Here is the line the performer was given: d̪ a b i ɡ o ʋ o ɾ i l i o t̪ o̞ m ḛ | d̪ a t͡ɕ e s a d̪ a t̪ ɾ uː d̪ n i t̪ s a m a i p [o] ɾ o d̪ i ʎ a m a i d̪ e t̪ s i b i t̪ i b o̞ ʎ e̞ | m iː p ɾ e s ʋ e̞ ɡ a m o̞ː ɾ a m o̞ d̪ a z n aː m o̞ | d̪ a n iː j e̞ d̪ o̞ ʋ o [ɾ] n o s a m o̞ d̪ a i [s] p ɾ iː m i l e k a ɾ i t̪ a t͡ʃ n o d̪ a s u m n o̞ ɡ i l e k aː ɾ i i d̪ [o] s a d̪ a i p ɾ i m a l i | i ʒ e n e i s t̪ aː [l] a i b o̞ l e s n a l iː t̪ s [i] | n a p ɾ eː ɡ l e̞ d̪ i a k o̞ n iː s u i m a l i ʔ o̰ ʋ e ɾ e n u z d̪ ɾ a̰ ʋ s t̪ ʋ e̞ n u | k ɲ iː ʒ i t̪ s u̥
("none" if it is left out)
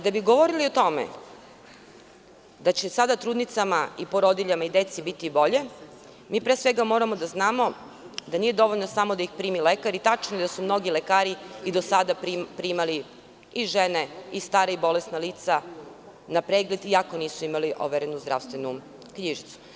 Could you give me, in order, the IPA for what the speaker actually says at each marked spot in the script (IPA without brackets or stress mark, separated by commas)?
o, ʎ, x, o, ɾ, a